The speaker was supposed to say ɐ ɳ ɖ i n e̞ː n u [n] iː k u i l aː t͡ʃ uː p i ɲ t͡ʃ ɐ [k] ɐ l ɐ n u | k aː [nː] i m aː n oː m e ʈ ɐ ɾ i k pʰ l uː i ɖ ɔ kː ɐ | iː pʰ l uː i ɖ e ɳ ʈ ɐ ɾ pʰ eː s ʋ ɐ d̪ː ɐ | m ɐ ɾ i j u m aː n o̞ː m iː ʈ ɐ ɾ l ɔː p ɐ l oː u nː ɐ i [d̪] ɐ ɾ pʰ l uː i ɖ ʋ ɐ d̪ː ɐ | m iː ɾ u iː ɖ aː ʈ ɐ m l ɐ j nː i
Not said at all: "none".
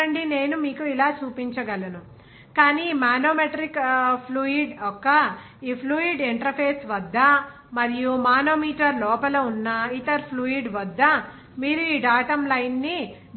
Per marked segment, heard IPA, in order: m, ɡ, n, t̪

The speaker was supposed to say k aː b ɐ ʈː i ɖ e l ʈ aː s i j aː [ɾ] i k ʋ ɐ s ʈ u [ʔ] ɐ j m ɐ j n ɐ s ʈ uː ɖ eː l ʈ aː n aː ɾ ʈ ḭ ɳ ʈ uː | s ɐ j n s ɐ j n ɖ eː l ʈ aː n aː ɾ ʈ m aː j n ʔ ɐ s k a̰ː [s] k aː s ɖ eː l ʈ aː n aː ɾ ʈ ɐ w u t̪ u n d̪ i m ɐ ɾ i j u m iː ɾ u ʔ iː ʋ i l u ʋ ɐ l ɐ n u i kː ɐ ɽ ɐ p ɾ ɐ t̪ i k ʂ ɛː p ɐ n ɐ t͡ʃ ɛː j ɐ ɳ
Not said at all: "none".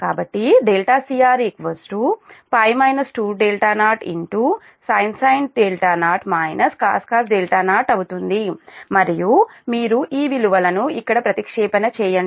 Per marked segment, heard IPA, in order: ɾ, p, s

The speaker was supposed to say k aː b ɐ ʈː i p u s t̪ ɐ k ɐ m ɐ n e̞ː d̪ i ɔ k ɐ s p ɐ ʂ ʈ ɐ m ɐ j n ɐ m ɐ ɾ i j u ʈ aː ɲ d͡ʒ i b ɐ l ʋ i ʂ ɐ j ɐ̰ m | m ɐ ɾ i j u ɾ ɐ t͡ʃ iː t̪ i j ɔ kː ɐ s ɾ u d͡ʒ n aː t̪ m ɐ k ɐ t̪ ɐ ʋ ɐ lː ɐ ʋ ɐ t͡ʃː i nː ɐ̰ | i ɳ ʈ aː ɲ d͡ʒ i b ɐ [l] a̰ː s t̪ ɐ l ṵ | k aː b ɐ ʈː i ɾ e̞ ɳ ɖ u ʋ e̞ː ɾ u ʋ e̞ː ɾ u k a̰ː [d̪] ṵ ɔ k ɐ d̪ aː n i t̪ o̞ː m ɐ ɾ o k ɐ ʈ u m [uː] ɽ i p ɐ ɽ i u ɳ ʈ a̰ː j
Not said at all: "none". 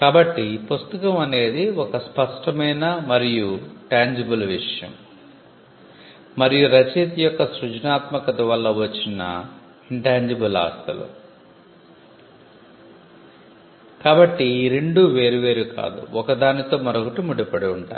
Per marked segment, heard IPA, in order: l, d̪, u

